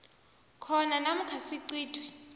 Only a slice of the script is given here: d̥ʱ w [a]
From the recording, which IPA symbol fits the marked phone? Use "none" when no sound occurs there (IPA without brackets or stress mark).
ɛ